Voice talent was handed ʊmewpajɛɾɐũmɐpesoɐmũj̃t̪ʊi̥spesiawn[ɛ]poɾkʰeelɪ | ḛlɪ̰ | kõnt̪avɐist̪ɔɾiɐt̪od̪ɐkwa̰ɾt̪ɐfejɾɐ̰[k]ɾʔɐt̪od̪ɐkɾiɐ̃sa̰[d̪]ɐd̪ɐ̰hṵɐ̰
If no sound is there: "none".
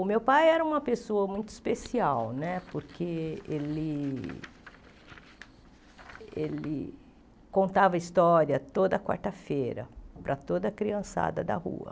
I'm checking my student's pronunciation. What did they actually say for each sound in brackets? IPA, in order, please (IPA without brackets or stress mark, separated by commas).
ɛ, p, d̪